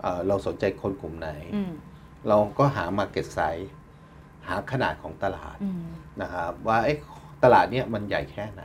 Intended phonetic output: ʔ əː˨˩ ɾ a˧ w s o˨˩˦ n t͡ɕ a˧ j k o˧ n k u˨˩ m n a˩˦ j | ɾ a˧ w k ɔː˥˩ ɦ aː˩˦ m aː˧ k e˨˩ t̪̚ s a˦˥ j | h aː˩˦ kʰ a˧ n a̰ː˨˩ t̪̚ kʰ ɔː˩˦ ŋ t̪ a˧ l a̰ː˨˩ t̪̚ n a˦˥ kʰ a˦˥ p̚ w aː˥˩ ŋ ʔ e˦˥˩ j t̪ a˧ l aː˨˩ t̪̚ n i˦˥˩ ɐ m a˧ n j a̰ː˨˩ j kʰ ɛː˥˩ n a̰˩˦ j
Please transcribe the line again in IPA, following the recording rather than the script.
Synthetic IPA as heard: ʔ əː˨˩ ɾ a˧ w s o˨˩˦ n t͡ɕ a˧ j kʰ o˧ n k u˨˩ m n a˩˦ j | ɾ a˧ w k ɔː˥˩ ɦ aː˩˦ m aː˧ k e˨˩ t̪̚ s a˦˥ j | h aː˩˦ kʰ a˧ n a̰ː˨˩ t̪̚ kʰ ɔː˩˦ ŋ t̪ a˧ l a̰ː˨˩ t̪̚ n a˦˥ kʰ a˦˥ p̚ w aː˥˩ ʔ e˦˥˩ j t̪ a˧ l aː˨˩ t̪̚ n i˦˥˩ ɐ m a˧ n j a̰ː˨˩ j kʰ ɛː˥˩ n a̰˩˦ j